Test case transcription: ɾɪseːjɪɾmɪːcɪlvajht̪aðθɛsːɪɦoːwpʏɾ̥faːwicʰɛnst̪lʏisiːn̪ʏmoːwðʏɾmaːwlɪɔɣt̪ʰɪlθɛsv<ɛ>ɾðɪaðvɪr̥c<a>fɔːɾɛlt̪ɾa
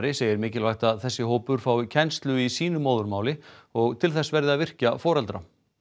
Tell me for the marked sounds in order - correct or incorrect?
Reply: correct, correct

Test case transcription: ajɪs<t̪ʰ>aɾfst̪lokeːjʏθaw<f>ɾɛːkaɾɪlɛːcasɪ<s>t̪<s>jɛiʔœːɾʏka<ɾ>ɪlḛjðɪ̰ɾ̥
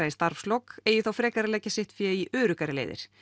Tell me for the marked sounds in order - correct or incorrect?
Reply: incorrect: t̪, correct, incorrect: h, incorrect: f, correct

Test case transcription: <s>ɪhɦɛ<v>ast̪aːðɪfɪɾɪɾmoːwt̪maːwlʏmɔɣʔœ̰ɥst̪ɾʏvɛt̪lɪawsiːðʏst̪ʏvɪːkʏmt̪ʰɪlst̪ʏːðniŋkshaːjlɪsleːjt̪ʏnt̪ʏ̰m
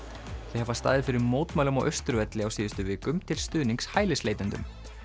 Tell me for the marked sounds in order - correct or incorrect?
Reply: incorrect: θ, correct

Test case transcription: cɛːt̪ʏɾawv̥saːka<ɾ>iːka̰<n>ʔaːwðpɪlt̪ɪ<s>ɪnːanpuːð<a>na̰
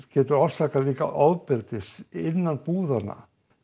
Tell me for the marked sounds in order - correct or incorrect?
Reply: incorrect: l, incorrect: none, correct, correct

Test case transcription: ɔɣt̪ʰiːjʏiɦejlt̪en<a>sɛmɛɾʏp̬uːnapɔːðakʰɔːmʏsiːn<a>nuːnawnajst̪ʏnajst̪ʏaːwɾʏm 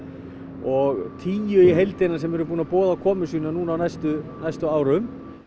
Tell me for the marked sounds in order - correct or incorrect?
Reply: correct, correct

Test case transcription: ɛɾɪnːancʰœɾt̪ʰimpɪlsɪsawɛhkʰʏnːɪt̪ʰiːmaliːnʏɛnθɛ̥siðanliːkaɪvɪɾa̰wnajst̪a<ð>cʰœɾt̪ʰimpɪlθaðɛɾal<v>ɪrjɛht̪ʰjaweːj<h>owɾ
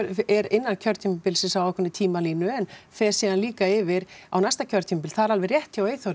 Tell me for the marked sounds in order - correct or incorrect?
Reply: incorrect: none, correct, incorrect: θ

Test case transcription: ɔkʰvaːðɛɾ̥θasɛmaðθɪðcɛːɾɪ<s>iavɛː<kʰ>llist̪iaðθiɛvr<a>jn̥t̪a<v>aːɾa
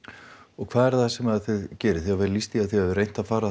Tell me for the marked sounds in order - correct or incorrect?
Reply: incorrect: θ, incorrect: none, incorrect: e, incorrect: f

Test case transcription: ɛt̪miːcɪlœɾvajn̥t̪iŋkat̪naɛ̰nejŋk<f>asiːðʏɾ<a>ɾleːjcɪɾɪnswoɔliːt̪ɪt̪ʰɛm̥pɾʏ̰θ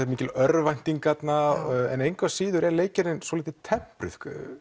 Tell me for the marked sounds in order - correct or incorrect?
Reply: incorrect: v, incorrect: ɛ

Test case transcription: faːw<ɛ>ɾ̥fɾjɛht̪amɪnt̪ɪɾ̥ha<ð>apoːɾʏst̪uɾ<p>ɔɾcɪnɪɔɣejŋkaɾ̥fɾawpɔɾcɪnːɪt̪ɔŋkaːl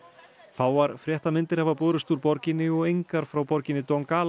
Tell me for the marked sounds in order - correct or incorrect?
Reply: incorrect: a, incorrect: v, correct

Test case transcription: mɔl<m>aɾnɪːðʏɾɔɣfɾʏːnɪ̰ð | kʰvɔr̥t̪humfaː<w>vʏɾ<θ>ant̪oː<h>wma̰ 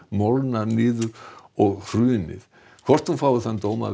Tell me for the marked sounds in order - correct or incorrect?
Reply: incorrect: n, correct, correct, incorrect: none

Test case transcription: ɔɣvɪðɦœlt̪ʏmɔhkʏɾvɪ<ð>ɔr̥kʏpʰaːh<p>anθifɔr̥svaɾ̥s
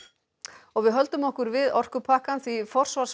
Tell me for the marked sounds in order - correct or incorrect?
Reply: correct, incorrect: k

